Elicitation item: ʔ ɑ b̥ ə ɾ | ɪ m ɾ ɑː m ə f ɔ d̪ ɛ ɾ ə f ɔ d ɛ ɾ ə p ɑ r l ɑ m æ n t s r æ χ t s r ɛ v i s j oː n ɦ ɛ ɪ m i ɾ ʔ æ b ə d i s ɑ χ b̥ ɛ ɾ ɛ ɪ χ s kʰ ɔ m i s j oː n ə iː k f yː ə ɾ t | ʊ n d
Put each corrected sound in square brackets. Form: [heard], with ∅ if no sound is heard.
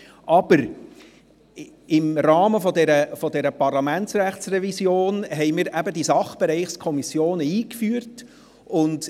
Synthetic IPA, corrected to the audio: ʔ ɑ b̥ ə ɾ | ɪ m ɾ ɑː m ə f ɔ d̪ ɛ ɾ ə f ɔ d ɛ ɾ ə p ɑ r l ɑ m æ n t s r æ χ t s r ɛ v i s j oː n ɦ ɛ ɪ m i ɾ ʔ æ b ə d i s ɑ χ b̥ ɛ ɾ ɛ ɪ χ s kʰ ɔ m i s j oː n ə iː k f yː ə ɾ t | ʊ n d